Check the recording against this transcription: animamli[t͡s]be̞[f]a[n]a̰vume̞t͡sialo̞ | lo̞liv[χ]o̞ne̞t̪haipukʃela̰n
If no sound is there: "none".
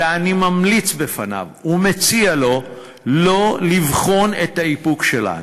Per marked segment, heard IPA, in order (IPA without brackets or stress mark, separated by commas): t͡s, f, n, χ